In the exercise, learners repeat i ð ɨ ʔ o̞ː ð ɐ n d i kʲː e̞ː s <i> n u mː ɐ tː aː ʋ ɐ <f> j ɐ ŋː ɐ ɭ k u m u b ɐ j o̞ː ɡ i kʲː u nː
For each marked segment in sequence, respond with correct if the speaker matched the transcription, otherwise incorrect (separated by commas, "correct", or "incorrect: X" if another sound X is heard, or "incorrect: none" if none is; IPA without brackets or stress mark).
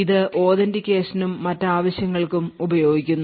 correct, incorrect: ɕ